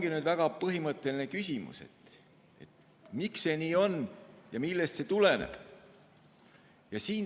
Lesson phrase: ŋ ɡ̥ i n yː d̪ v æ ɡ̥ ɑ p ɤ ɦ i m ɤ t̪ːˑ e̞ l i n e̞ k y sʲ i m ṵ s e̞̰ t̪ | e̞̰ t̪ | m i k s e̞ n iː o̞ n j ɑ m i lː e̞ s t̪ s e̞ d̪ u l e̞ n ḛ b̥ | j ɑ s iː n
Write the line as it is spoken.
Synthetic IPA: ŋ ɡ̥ i n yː d̪ v æ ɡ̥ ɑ p ɤ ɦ i m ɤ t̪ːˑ e̞ l i n e̞ k y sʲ i m ṵ s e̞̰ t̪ | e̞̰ t̪ | m i k s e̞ n iː o̞ n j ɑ m i lː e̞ s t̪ s e̞ t̪ u l e̞ n ḛ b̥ | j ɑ s iː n